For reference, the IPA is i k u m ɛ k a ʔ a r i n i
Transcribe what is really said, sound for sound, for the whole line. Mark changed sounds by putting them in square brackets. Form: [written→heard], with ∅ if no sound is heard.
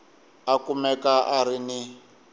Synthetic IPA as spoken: [i→a] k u m ɛ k a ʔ a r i n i